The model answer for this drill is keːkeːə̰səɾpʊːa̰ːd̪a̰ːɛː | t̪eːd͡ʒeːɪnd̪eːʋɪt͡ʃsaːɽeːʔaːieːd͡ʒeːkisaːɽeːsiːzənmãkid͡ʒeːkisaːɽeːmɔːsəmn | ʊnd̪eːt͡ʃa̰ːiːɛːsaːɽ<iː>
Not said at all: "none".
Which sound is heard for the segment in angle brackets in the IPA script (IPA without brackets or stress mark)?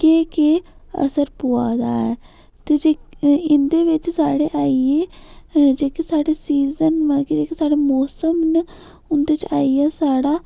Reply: aː